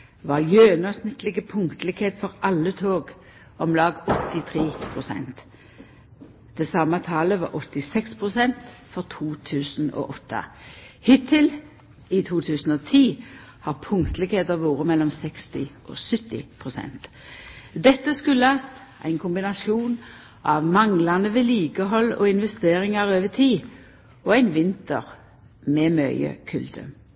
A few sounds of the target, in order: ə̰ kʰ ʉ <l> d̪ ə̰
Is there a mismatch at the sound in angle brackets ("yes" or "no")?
no